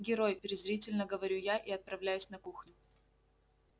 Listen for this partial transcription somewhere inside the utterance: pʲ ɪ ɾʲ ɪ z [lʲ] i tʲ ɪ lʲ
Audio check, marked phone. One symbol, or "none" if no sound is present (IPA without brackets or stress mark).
ɾʲ